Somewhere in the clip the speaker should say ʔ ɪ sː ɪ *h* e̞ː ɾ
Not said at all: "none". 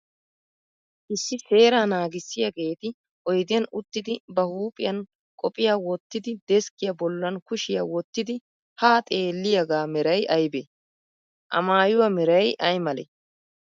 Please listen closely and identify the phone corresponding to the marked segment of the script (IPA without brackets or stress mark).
s